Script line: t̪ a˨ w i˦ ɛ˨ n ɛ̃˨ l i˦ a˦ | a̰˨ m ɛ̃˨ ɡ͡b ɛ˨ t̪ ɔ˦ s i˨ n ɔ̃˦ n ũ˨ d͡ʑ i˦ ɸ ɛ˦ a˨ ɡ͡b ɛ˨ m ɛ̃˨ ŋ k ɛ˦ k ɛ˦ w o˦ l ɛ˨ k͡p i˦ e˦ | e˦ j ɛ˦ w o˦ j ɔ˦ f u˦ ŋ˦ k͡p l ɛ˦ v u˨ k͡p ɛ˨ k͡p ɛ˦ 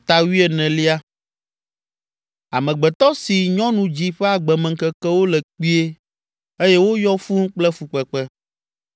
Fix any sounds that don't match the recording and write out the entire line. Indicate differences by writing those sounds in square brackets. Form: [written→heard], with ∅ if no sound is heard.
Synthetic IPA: t̪ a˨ w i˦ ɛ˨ n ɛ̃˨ l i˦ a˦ | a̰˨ m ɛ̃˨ ɡ͡b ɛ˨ t̪ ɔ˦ s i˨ [n→ɲ] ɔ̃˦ n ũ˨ d͡ʑ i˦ ɸ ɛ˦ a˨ ɡ͡b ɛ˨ m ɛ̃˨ ŋ k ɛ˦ k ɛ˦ w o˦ l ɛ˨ k͡p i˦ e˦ | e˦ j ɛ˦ w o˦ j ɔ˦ f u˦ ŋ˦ k͡p l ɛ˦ [v→f] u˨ k͡p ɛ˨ k͡p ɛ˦